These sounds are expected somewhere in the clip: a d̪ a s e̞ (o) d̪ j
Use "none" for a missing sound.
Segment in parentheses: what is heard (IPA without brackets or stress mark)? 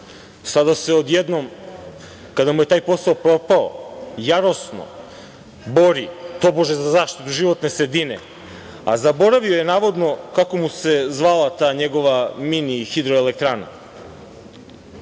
o